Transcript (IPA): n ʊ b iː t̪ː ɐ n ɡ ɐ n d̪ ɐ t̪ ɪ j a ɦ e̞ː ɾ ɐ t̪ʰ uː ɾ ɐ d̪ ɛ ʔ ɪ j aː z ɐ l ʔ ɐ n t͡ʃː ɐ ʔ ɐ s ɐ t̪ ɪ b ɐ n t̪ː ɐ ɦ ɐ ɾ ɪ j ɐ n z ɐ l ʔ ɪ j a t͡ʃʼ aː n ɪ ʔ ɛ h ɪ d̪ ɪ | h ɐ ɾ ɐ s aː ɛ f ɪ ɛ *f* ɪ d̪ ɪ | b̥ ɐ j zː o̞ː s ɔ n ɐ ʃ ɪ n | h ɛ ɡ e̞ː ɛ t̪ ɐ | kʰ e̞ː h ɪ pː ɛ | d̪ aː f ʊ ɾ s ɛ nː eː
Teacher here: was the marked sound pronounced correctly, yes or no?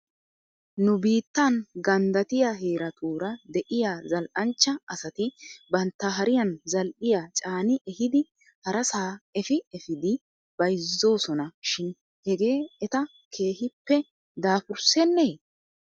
yes